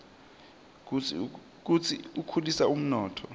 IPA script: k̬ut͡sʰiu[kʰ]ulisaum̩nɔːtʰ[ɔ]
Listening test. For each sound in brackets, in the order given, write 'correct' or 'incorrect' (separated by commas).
correct, correct